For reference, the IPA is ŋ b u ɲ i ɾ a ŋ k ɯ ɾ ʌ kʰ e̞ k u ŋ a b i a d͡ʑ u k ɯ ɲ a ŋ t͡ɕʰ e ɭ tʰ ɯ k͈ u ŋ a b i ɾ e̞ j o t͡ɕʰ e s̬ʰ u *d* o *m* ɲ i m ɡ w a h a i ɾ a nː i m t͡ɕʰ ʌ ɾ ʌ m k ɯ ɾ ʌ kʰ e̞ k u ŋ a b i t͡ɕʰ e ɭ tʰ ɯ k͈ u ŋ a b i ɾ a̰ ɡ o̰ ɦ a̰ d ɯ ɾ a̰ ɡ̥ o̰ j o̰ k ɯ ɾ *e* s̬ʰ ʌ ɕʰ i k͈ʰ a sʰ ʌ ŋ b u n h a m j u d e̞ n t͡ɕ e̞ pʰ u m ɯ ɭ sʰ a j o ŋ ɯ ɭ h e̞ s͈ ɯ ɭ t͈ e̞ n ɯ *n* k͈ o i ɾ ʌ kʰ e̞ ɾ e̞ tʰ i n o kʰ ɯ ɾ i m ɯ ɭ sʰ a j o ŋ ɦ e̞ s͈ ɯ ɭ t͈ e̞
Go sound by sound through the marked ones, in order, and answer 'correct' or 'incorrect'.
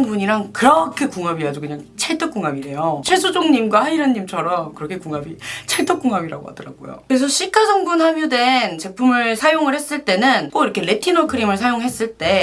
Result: incorrect, incorrect, correct, correct

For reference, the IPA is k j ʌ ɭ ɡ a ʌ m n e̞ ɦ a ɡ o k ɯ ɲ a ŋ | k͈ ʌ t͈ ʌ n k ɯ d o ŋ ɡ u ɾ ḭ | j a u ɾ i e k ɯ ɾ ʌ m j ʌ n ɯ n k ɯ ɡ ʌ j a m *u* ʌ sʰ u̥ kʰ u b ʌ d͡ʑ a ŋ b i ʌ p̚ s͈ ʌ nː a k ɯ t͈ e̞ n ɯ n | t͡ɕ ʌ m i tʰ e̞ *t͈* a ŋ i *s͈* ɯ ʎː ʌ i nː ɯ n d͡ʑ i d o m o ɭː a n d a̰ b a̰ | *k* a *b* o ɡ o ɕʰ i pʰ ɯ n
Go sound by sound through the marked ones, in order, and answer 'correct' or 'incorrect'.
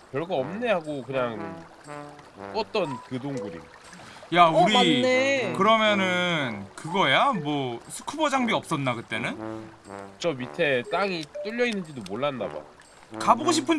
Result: incorrect, correct, incorrect, correct, correct

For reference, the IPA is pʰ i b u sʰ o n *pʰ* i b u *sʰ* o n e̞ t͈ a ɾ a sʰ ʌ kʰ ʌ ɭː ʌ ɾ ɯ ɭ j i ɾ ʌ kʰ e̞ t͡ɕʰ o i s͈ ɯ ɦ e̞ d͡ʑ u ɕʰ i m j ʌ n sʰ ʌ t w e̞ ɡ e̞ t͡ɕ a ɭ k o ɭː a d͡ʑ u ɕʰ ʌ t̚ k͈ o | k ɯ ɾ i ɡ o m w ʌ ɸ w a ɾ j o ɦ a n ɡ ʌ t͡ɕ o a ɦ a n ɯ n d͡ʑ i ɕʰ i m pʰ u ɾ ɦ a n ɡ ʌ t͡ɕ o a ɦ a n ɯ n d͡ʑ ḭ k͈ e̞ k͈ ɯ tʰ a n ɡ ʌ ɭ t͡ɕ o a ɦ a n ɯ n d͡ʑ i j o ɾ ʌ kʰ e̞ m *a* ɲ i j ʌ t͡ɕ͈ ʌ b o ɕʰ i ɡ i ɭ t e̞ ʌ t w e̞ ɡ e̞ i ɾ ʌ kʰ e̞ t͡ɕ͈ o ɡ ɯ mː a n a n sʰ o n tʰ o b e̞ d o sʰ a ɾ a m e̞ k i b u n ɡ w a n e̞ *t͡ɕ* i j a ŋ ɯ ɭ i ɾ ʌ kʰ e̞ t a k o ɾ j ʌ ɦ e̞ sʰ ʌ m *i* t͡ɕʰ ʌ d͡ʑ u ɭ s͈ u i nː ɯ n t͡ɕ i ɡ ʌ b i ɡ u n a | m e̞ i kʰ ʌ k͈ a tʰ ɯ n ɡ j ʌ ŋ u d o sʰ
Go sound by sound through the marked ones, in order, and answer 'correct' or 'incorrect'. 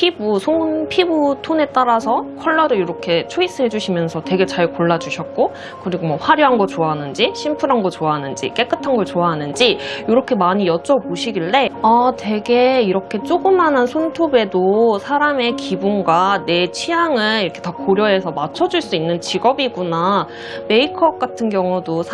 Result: correct, incorrect, correct, incorrect, incorrect

